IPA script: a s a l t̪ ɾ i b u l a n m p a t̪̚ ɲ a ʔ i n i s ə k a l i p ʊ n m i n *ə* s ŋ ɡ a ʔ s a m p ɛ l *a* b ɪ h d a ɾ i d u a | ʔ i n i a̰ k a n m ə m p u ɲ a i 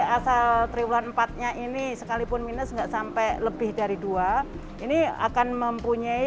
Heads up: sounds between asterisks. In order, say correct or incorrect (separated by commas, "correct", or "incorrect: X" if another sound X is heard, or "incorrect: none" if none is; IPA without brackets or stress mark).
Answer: correct, incorrect: ə